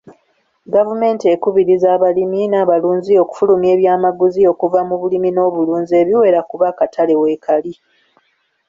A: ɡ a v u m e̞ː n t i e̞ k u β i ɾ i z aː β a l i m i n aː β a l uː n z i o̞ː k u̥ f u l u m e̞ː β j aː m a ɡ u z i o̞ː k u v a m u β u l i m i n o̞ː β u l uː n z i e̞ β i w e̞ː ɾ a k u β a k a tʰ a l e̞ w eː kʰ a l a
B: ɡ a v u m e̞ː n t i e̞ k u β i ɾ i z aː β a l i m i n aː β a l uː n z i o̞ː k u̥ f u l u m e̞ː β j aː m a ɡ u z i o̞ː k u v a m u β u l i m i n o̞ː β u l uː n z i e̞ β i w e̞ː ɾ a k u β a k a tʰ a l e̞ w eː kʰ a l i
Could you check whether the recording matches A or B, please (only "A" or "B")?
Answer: B